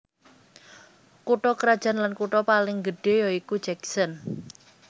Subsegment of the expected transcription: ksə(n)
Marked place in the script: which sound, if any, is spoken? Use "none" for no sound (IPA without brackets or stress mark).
n